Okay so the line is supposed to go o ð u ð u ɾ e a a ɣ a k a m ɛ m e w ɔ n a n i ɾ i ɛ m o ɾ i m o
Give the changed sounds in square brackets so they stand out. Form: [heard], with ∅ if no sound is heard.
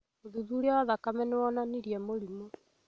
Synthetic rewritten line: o ð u ð u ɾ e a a [ð] a k a m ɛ [n] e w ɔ n a n i ɾ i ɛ m o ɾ i m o

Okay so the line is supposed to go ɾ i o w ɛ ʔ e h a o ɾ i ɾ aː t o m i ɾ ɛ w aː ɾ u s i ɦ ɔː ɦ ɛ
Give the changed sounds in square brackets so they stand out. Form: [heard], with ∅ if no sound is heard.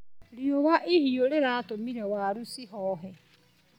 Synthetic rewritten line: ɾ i o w [a] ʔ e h [i] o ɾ [e] ɾ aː t o m i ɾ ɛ w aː ɾ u s i ɦ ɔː ɦ ɛ

